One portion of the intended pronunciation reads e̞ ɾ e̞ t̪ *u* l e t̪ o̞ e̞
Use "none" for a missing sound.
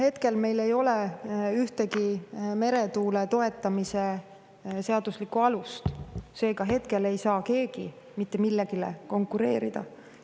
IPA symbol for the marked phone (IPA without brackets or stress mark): uː